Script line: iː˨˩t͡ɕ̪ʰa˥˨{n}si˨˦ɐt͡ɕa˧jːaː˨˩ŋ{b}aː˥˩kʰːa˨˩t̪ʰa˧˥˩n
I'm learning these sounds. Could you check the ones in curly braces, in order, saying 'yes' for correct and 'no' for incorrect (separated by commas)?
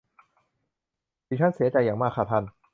yes, no